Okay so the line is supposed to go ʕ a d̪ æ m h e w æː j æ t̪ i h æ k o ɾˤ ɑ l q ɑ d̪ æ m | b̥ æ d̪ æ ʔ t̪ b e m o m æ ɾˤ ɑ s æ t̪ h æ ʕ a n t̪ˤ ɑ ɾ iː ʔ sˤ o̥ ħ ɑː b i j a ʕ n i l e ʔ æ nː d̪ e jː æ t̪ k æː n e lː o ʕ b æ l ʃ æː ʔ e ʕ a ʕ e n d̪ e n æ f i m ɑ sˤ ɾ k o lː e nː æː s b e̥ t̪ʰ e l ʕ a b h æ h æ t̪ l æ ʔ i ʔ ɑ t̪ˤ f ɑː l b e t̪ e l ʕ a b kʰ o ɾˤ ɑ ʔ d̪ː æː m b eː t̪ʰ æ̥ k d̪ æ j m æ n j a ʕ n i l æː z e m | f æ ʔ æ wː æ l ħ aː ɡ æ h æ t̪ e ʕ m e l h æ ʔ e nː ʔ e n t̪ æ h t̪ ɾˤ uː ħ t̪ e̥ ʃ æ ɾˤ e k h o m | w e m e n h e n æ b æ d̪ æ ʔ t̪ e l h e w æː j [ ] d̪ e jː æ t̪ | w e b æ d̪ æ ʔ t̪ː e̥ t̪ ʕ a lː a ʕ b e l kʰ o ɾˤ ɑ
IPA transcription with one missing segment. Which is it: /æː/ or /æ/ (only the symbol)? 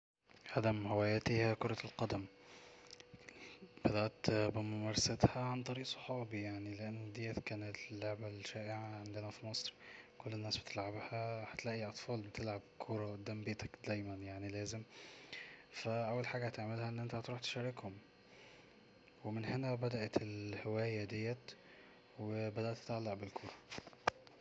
æ